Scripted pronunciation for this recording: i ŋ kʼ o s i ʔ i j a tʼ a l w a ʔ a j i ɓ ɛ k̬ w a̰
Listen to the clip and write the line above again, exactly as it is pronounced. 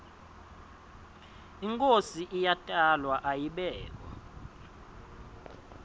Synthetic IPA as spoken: i ŋ kʼ o s i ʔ i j a tʼ a l w a ʔ a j i ɓ ɛː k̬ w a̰